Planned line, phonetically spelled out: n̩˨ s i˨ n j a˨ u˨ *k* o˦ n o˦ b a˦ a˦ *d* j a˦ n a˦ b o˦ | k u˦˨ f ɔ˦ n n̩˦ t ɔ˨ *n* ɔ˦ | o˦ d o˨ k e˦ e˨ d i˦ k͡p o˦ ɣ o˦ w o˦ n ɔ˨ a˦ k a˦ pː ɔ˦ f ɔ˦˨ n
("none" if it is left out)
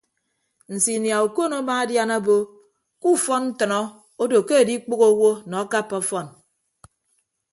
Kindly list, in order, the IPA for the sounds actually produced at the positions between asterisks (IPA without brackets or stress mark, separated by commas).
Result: k, d, n